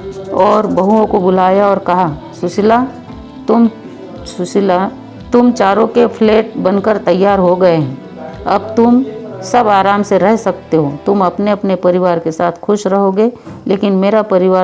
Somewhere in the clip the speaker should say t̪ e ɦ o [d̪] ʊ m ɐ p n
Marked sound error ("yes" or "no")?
yes